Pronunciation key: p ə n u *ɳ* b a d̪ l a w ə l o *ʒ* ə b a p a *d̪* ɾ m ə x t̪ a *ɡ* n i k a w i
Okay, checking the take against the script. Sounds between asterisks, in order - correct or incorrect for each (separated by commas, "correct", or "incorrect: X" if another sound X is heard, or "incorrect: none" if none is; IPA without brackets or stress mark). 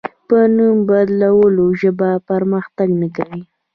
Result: incorrect: m, correct, incorrect: none, correct